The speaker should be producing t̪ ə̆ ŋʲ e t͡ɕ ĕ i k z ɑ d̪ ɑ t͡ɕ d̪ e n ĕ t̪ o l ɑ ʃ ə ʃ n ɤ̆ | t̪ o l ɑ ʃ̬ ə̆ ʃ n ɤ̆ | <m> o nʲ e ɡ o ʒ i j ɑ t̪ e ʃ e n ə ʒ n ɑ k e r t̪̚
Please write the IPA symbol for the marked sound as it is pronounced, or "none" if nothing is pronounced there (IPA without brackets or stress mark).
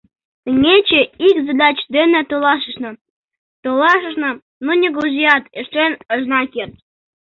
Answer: n